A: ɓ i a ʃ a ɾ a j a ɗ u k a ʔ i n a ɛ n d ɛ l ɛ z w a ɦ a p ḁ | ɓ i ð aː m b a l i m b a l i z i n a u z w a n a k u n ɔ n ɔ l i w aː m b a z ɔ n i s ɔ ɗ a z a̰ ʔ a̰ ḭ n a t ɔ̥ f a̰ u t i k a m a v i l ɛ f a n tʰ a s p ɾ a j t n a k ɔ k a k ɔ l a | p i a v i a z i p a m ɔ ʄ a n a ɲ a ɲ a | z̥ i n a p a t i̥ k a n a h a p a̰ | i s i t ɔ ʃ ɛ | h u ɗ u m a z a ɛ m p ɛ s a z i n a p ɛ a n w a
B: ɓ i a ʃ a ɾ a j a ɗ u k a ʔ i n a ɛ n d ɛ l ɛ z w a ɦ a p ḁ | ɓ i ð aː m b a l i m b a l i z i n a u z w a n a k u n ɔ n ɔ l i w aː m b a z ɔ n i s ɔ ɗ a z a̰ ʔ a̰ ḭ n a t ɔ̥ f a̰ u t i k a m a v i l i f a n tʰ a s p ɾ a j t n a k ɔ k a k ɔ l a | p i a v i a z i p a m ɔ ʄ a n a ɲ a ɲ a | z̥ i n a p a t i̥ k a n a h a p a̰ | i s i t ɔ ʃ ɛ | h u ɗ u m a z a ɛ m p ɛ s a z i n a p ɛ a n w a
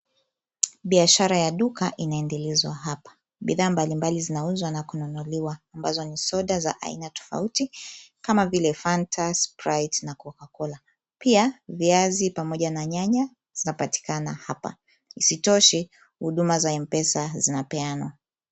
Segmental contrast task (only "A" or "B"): A